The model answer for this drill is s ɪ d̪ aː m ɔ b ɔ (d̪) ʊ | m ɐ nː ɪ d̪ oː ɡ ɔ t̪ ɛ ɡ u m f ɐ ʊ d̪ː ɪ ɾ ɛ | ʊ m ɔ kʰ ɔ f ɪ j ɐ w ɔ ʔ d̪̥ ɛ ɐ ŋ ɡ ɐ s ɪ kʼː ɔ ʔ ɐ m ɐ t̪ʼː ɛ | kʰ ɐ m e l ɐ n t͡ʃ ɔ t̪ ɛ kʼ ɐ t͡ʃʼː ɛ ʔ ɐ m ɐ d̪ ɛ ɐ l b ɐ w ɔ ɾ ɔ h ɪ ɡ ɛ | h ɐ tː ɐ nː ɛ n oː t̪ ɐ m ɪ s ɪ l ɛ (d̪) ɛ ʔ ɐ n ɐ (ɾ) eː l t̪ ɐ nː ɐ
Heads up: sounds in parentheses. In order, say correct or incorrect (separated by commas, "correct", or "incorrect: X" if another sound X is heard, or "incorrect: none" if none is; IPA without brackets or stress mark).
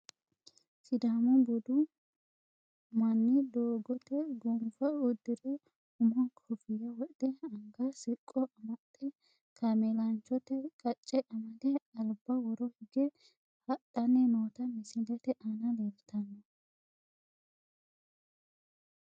correct, incorrect: t̪, incorrect: l